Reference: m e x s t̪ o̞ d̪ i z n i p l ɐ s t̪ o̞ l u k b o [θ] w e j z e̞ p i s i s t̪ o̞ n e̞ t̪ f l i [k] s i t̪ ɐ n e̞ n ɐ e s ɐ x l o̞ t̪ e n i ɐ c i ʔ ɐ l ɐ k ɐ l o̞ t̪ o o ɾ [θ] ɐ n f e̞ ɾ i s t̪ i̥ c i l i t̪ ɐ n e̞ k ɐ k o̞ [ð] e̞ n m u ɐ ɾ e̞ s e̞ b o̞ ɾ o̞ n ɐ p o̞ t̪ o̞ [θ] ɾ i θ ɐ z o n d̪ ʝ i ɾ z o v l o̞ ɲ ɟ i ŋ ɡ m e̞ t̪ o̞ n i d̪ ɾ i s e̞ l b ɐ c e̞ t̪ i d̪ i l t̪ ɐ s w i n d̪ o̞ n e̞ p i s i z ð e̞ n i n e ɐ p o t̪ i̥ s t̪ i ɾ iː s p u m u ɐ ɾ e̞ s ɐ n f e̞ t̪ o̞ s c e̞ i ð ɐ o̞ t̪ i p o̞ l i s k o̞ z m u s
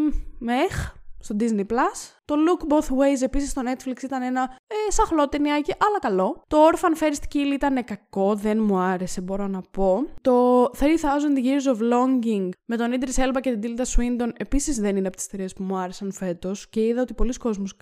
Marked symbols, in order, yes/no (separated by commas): yes, yes, no, yes, yes